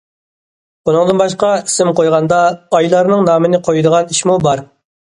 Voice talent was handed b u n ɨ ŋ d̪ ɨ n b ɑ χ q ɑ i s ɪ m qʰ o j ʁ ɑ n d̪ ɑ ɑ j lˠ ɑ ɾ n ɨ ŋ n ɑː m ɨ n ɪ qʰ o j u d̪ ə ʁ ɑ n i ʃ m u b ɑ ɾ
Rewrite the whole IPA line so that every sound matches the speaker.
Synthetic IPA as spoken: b u n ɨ ŋ d̪ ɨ n b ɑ ʃ q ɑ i s ɪ m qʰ o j ʁ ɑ n d̪ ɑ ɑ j lˠ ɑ ɾ n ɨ ŋ n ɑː m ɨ n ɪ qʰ o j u d̪ ə ʁ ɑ n i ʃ m u b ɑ ɾ